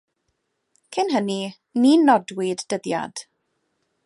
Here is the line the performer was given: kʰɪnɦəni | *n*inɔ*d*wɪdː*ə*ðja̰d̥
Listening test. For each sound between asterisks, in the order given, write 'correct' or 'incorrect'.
correct, correct, correct

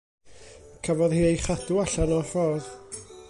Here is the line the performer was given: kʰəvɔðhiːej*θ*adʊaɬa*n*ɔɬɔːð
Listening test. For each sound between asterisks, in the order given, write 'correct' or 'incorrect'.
incorrect, correct

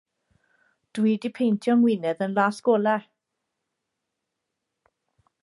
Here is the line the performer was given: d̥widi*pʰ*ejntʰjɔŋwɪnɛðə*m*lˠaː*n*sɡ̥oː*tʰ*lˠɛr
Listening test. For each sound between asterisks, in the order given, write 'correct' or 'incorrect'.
correct, incorrect, incorrect, incorrect

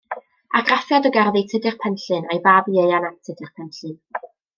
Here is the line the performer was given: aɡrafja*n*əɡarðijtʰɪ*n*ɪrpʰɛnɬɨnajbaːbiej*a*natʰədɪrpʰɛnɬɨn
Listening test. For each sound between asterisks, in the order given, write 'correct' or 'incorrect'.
incorrect, incorrect, correct

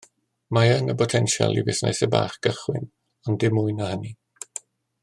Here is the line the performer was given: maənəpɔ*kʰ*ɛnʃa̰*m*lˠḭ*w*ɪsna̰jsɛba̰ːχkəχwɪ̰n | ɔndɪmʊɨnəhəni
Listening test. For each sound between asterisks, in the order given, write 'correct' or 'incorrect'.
incorrect, incorrect, incorrect

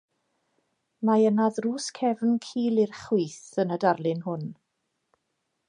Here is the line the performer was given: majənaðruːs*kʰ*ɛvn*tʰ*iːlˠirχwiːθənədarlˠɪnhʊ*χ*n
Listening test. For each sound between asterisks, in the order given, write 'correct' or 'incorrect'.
correct, incorrect, incorrect

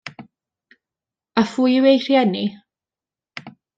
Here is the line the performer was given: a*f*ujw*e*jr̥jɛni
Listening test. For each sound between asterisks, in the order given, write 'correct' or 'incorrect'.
correct, correct

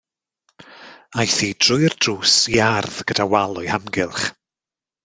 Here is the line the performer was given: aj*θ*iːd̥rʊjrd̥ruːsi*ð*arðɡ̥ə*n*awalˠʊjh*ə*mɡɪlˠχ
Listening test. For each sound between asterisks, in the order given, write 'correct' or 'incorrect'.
correct, incorrect, incorrect, incorrect

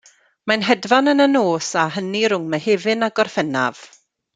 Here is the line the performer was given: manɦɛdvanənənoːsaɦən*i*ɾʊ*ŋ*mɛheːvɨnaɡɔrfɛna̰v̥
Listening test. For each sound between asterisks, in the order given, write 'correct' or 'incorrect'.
correct, correct

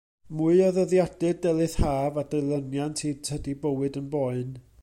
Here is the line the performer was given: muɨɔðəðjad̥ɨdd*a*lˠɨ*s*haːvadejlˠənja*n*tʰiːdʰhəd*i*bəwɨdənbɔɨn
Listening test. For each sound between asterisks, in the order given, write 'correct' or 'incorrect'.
incorrect, incorrect, correct, correct

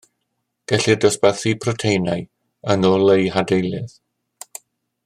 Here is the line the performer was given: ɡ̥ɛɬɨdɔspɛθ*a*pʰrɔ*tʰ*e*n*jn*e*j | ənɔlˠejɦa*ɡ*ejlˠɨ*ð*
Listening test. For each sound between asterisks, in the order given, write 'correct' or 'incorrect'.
incorrect, correct, incorrect, incorrect, incorrect, correct

